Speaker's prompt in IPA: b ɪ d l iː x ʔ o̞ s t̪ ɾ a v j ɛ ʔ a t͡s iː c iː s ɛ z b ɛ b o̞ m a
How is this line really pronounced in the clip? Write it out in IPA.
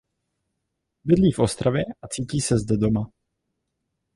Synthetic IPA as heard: b ɪ d l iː f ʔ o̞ s t̪ ɾ a v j ɛ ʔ a t͡s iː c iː s ɛ z d ɛ d o̞ m a